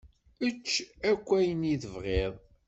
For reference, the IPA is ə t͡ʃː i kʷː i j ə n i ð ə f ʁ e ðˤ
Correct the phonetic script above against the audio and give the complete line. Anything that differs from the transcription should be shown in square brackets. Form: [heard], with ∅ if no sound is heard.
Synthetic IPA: ə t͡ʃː [æ] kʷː [æ] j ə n i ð ə [v] ʁ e ðˤ